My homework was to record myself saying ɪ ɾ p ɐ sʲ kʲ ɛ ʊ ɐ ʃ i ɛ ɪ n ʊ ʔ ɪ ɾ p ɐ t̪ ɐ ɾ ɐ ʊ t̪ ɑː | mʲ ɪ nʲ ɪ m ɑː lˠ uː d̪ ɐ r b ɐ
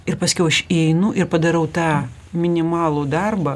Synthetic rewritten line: ɪ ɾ p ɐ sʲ kʲ ɛ ʊ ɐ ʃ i ɛ ɪ n ʊ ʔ ɪ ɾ p ɐ d̪ ɐ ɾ ɐ ʊ t̪ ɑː | mʲ ɪ nʲ ɪ m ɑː lˠ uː d̪ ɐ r b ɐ